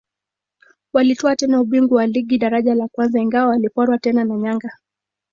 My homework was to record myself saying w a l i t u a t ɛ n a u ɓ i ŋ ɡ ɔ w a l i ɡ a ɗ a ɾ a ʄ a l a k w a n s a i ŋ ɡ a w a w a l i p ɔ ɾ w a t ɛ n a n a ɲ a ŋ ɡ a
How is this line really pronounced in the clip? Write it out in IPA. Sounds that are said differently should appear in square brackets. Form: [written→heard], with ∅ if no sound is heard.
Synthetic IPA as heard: w a l i t [u→ɔ] a t ɛ n a u ɓ i ŋ ɡ [ɔ→u] w a l i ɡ [a→i] ɗ a ɾ a ʄ a l a k w a n [s→z] a i ŋ ɡ a w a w a l i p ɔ ɾ w a t ɛ n a n a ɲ a ŋ ɡ a